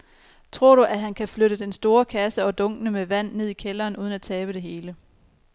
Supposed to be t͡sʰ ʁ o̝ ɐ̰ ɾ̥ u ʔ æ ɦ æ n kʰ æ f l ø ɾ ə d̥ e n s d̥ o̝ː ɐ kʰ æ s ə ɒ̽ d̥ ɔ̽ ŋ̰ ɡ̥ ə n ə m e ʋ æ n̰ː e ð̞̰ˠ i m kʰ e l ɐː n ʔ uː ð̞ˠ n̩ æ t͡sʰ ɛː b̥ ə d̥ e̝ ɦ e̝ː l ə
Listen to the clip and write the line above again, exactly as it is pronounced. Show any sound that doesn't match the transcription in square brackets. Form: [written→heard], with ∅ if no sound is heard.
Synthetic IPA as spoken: t͡sʰ ʁ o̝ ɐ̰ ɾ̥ u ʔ æ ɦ æ n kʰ æ f l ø ɾ ə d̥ e n s d̥ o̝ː ɐ kʰ æ s ə ɒ̽ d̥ ɔ̽ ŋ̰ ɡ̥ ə n ə m e ʋ æ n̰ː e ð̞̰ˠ i [m→∅] kʰ e l ɐː n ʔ uː ð̞ˠ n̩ æ t͡sʰ ɛː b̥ ə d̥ e̝ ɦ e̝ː l ə